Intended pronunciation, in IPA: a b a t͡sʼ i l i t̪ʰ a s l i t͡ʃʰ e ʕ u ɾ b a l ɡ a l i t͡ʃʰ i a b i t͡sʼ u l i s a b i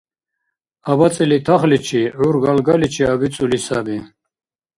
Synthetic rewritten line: a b a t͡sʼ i l i t̪ʰ a χ l i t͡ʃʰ i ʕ u ɾ ɡ a l ɡ a l i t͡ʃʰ i a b i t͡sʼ u l i s a b i